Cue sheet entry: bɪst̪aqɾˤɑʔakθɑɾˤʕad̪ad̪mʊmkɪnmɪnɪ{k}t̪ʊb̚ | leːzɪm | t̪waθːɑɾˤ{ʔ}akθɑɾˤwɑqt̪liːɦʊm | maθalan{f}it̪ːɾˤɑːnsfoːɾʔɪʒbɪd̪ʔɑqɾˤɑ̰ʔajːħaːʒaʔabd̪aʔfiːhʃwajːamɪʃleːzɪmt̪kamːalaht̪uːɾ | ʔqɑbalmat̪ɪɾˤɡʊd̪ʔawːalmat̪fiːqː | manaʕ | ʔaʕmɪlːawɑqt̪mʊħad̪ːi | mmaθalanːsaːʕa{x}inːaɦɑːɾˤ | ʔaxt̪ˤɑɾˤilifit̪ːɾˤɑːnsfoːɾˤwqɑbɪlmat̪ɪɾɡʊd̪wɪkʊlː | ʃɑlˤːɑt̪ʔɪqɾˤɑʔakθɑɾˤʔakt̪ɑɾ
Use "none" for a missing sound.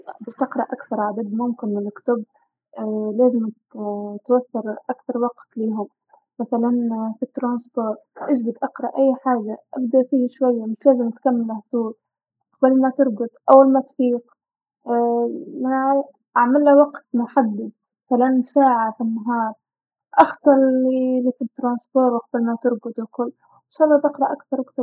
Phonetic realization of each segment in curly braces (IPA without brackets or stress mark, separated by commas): k, ʔ, f, f